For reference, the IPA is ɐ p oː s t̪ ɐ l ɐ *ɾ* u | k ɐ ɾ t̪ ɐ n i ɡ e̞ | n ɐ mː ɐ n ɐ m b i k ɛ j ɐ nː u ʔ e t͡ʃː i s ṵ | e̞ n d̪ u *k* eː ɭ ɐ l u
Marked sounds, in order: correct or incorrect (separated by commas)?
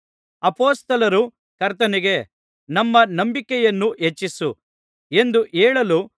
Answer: correct, incorrect